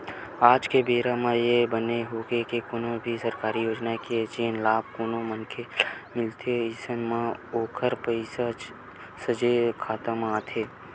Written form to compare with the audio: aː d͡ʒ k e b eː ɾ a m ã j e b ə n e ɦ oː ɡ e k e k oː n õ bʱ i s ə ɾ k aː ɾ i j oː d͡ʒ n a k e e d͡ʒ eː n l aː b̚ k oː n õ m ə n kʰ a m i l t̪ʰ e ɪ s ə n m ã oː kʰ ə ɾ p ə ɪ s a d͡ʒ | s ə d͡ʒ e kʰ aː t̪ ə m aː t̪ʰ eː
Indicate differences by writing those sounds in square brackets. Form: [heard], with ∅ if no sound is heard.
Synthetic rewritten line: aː d͡ʒ k e b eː ɾ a m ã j e b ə n e ɦ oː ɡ e k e k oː n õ bʱ i s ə ɾ k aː ɾ i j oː d͡ʒ n a k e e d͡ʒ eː n l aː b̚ k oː n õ m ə n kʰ [e] m [ɪ] l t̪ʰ e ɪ s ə n m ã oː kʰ ə ɾ p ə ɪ s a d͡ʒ | s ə d͡ʒ e kʰ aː t̪ ə m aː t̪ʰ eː